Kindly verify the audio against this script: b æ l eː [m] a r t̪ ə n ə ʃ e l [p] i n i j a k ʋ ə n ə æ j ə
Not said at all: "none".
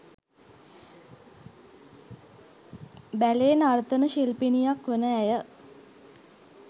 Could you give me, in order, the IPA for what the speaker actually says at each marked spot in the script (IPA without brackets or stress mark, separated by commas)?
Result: n, p